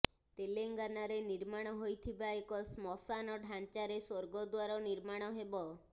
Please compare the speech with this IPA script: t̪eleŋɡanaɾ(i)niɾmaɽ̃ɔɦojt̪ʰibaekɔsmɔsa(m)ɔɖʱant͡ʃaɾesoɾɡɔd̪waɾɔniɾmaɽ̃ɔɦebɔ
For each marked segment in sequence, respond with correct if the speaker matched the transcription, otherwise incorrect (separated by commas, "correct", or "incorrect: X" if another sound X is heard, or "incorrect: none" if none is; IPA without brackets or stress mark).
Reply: incorrect: e, incorrect: n